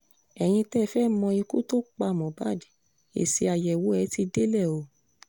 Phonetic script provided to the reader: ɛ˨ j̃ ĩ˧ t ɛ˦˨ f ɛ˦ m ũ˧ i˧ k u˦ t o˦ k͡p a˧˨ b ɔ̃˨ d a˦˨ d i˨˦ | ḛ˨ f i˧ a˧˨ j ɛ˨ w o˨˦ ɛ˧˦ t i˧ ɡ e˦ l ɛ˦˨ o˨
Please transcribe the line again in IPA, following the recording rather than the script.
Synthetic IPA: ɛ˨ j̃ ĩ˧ t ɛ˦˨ f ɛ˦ m ɔ̃˧ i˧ k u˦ t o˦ k͡p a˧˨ m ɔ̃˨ b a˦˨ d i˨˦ | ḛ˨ s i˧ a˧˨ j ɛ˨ w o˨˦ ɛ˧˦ t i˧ d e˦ l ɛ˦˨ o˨